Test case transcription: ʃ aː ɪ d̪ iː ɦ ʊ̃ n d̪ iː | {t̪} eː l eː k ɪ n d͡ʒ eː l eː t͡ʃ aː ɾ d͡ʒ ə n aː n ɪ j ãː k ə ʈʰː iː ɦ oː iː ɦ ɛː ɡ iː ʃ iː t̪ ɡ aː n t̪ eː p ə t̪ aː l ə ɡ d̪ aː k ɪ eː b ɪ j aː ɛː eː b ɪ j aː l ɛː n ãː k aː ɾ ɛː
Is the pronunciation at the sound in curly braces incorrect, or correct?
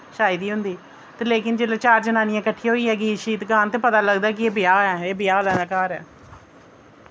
correct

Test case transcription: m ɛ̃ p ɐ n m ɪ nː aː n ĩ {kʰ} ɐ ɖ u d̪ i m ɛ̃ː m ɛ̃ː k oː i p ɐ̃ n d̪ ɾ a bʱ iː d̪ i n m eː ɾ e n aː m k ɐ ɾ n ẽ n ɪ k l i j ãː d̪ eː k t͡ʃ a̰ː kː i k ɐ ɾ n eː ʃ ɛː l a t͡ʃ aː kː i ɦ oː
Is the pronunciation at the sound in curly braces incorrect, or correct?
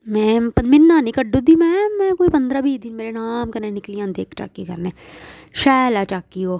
incorrect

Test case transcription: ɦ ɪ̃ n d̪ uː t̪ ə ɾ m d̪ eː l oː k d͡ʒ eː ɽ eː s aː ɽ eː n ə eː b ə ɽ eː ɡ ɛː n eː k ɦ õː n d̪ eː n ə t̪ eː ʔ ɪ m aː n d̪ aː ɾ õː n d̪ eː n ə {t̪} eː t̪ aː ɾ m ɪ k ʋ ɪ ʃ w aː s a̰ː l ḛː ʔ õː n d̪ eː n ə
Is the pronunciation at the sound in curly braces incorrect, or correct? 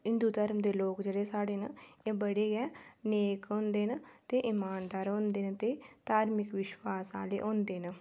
correct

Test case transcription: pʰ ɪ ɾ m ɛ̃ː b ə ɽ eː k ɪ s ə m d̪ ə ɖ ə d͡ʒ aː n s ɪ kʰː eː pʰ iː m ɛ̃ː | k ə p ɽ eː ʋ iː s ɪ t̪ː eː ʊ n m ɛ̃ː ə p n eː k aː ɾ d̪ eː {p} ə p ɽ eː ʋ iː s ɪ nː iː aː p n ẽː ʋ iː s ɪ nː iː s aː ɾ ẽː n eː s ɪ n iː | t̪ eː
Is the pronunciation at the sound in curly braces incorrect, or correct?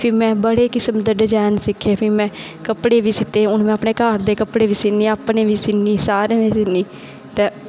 incorrect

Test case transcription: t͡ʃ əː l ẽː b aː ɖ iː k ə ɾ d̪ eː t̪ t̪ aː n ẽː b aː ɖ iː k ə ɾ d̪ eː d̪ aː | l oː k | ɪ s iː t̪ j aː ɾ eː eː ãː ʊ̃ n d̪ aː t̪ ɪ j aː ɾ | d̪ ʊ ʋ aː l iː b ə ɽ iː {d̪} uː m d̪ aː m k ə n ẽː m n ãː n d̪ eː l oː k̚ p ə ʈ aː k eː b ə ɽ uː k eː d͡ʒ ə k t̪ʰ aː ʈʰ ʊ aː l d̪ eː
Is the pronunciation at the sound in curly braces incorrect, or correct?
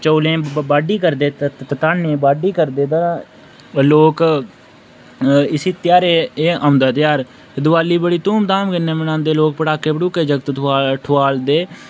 incorrect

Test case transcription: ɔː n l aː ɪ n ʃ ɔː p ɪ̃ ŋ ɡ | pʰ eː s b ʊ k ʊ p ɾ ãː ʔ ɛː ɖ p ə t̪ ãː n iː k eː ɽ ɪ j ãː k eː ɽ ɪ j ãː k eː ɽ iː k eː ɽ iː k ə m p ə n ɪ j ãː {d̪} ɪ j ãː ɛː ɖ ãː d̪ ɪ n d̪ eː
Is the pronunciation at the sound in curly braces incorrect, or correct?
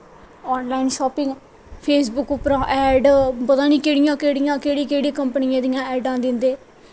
correct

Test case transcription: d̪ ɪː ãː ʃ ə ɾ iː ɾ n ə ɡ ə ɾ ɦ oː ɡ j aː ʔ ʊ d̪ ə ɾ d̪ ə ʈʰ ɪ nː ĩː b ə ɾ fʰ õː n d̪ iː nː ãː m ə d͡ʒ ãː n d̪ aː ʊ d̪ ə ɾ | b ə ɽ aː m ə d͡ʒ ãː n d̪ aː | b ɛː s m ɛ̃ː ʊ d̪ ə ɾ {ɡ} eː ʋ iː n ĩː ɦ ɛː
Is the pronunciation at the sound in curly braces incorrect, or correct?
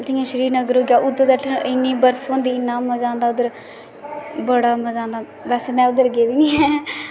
correct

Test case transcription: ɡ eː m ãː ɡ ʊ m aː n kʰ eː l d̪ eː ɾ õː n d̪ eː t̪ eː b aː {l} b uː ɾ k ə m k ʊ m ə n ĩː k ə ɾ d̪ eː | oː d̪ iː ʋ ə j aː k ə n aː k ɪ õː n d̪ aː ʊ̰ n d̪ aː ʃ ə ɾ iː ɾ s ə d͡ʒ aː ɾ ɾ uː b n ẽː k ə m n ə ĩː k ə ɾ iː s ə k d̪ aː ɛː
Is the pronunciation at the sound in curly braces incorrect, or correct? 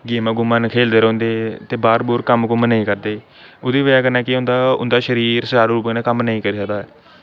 incorrect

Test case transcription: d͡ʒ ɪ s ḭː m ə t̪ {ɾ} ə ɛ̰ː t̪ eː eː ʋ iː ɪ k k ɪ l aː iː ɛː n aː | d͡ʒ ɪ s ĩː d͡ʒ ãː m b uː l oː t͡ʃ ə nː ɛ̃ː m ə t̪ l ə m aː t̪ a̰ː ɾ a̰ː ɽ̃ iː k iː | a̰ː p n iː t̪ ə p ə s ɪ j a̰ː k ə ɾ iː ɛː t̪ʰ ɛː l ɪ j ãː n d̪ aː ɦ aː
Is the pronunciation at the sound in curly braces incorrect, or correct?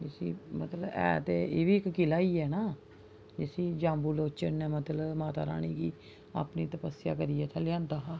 incorrect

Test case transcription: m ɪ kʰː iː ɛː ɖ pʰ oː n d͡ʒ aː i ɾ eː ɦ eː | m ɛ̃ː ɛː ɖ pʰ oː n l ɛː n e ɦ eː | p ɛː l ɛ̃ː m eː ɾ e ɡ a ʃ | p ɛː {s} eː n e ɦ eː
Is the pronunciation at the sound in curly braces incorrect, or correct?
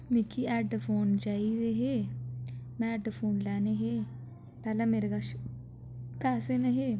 correct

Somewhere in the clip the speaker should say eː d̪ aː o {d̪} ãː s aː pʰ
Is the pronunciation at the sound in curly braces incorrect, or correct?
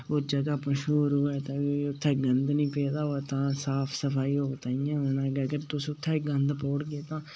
incorrect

